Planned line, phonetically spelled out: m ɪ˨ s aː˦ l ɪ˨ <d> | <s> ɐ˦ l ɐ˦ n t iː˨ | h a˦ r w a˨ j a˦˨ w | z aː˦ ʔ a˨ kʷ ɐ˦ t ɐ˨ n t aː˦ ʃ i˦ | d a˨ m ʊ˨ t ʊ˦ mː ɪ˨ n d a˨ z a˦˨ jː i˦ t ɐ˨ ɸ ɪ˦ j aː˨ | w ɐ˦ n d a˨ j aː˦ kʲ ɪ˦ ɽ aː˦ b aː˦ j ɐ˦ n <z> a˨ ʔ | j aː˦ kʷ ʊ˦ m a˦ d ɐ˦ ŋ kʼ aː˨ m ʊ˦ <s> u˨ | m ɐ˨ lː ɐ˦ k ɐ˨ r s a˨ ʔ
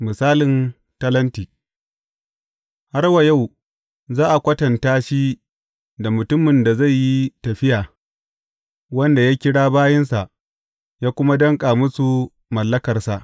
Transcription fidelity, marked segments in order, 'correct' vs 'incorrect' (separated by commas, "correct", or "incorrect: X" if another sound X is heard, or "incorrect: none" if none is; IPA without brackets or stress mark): incorrect: n, incorrect: t, incorrect: s, correct